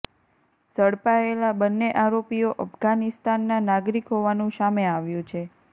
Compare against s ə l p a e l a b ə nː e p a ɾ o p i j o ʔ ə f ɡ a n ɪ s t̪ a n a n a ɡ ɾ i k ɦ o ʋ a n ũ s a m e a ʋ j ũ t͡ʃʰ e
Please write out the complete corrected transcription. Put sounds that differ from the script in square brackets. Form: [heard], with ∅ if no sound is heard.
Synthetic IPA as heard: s ə [ɽ] p a e l a b ə nː e [ʔ] a ɾ o p i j o ʔ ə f ɡ a n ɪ s t̪ a [nː] a n a ɡ ɾ i k ɦ o ʋ a n ũ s a m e a ʋ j ũ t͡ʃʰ e